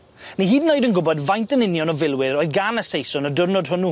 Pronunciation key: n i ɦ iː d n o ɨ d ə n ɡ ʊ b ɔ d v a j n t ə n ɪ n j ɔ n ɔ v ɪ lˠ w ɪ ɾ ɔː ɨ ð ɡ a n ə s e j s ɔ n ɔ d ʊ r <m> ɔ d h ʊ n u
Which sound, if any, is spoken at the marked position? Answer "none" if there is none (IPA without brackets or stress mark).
n